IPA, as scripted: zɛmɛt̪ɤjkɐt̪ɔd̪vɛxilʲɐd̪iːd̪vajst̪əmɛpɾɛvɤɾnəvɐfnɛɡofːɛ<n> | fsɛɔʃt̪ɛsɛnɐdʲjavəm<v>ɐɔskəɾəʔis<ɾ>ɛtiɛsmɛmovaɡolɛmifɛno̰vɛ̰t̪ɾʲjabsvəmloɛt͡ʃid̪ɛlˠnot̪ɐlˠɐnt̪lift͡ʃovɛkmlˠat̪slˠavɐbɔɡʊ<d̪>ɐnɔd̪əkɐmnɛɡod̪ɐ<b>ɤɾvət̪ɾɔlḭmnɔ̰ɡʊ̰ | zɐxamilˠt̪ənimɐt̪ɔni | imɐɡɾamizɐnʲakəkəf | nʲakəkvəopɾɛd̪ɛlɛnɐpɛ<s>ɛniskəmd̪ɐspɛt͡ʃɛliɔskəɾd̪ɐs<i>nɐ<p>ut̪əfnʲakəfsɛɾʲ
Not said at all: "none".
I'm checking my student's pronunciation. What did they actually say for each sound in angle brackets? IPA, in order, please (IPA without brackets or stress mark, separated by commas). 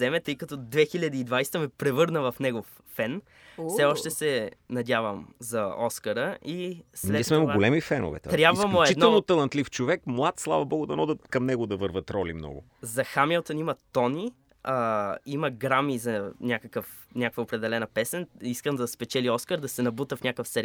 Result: n, z, l, d̪, v, s, ɛ, b